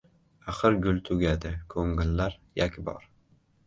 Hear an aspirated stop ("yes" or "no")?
yes